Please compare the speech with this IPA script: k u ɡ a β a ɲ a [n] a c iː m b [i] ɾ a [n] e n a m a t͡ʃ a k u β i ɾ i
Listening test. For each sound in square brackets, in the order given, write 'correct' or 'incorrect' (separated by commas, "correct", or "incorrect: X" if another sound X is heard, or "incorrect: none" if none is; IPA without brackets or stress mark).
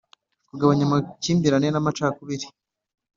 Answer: incorrect: m, correct, correct